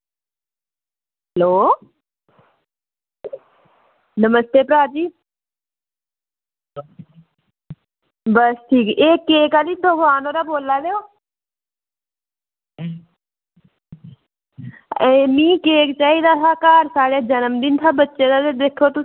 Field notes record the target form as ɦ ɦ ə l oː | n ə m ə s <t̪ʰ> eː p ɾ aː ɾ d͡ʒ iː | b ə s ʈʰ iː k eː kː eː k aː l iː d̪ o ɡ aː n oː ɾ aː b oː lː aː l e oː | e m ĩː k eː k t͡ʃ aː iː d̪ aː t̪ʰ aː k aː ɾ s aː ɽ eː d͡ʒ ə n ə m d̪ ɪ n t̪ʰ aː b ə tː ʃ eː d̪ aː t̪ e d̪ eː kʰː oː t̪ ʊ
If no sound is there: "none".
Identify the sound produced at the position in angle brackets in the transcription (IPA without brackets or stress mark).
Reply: t̪